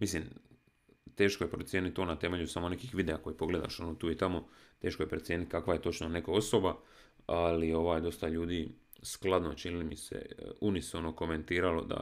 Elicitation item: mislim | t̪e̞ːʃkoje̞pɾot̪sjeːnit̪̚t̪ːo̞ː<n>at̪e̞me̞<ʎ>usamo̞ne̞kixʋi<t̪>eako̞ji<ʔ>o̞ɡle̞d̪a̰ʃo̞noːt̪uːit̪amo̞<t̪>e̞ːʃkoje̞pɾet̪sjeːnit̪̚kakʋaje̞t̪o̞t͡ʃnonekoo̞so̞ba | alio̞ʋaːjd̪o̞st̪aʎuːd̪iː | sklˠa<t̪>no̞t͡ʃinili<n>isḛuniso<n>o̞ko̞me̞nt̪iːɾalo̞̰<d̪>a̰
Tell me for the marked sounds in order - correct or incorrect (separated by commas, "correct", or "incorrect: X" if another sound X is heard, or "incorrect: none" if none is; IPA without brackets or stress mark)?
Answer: correct, correct, incorrect: d̪, incorrect: p, correct, incorrect: d̪, incorrect: m, correct, correct